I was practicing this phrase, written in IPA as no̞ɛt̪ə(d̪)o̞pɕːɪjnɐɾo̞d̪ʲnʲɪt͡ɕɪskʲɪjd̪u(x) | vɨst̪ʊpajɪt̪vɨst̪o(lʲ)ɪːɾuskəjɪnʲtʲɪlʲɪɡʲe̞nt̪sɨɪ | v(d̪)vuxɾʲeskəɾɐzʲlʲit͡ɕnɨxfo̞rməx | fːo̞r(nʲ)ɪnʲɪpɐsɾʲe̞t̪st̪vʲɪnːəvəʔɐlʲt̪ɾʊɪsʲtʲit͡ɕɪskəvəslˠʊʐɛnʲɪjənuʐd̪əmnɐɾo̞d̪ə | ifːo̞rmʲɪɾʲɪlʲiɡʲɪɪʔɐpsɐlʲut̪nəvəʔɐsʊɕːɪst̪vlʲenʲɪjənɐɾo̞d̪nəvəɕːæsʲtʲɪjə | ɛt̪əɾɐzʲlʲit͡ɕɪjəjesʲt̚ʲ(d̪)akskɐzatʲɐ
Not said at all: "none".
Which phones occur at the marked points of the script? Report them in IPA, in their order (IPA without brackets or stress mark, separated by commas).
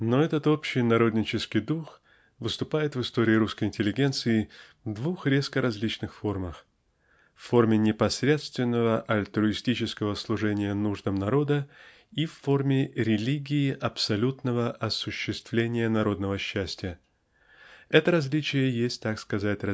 t̪, x, ɾʲ, d̪, mʲ, t̪